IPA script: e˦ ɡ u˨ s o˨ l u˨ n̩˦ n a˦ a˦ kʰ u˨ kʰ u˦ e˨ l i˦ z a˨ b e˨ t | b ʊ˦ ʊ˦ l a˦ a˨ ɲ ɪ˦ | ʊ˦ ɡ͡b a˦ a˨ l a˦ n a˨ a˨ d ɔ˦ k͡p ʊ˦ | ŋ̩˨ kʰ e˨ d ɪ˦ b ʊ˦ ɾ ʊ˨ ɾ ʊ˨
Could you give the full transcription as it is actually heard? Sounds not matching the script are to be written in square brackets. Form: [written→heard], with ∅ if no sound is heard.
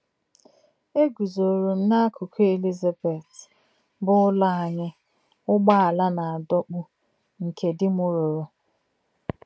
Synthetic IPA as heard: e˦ ɡ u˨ [s→z] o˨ [l→ɾ] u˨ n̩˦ n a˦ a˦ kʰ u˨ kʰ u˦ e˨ l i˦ z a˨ b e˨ t | b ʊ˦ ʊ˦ l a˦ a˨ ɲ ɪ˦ | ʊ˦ ɡ͡b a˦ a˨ l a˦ n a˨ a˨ d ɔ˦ k͡p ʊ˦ | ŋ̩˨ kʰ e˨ d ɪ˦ [b→m] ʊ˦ ɾ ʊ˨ ɾ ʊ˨

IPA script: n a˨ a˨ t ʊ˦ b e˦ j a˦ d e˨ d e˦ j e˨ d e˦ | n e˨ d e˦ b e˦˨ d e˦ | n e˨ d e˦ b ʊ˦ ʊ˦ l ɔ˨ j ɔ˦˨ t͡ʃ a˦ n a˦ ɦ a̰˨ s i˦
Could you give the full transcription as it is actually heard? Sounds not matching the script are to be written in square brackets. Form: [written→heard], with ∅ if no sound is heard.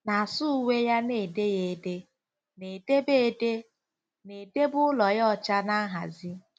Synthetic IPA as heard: n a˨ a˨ [t→s] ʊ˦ [b→w] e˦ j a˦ [d→n] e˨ d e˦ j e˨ d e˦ | n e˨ d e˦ b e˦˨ d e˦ | n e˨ d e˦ b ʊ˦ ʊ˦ l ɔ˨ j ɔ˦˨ t͡ʃ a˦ n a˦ ɦ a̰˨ [s→z] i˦

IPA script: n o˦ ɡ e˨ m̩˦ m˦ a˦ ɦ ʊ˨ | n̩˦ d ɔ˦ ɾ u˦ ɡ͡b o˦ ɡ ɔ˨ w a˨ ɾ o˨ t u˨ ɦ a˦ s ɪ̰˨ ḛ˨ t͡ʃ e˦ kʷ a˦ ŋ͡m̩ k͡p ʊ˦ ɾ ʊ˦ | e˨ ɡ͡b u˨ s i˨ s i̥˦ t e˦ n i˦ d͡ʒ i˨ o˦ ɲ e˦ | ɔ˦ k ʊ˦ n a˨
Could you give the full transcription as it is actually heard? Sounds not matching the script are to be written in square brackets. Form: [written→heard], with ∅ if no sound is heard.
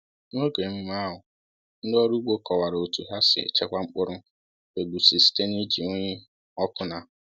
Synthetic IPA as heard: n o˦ ɡ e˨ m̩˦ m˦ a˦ ɦ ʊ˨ | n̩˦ d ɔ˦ ɾ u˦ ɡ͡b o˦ [ɡ→k] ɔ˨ w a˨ ɾ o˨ t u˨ ɦ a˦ s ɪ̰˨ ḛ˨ t͡ʃ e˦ kʷ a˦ ŋ͡m̩ k͡p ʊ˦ ɾ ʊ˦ | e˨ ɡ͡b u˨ s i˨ s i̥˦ t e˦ n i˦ d͡ʒ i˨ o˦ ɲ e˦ | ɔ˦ k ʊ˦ n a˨

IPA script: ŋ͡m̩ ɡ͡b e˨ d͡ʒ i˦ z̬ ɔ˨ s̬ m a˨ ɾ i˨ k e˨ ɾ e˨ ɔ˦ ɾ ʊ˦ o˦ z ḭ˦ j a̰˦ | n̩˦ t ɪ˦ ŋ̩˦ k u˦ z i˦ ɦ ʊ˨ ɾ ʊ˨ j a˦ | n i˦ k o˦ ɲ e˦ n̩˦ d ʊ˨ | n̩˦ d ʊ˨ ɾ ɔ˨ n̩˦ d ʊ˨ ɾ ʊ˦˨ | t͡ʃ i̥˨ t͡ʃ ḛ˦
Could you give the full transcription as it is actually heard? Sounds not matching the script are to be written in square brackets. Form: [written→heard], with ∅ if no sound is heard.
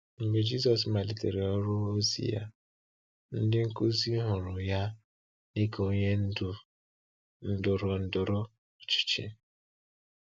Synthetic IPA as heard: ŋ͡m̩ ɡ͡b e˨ d͡ʒ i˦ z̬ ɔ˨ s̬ m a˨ [ɾ→l] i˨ [k→t] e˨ ɾ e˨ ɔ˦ ɾ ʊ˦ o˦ z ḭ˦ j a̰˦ | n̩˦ [t→d] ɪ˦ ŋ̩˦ k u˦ z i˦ ɦ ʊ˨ ɾ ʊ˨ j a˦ | n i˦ k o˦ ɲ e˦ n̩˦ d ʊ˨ | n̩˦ d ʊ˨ ɾ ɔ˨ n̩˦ d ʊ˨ ɾ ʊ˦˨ | t͡ʃ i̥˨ t͡ʃ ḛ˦

